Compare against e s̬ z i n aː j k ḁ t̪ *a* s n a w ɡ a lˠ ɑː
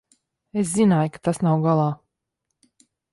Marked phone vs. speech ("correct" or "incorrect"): correct